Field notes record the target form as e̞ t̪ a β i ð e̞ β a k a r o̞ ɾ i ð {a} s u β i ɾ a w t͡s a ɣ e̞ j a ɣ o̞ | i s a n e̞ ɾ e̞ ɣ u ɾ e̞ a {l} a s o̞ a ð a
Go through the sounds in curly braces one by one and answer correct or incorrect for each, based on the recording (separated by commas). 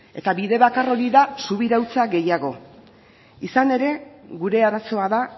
correct, incorrect